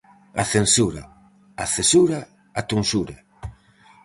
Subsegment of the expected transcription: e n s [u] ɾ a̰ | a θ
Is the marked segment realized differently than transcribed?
no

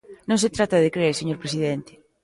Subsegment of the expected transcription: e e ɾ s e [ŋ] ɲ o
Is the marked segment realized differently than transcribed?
yes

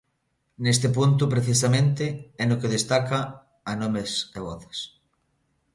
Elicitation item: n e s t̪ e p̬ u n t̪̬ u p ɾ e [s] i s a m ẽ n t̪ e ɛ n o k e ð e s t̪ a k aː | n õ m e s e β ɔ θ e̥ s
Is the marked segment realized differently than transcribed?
yes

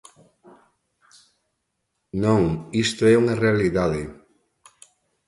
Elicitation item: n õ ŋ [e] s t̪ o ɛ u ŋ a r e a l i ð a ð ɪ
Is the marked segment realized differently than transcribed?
yes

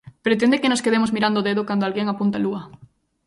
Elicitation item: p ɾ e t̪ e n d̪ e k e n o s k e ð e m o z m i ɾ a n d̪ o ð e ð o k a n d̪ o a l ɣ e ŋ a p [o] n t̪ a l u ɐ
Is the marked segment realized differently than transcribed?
yes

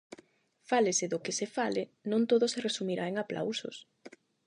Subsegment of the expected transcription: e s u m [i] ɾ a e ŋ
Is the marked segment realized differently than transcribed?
no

